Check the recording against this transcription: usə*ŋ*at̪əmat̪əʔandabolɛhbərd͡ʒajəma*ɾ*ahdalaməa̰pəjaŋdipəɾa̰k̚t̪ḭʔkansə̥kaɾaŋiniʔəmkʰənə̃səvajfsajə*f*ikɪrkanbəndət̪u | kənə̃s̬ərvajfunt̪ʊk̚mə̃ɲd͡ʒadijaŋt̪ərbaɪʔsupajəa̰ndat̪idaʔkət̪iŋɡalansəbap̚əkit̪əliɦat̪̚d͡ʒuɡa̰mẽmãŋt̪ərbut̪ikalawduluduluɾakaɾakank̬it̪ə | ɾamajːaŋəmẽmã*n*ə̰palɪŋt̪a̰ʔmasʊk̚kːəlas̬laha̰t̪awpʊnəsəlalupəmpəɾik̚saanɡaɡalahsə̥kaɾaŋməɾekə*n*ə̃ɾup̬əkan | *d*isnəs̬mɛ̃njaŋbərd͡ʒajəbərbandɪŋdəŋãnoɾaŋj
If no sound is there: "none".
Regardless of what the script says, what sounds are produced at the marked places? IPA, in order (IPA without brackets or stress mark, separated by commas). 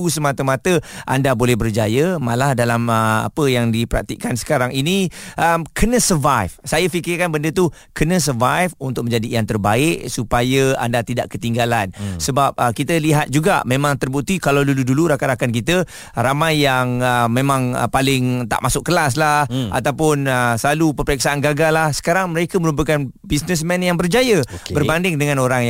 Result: m, l, f, ŋ, m, b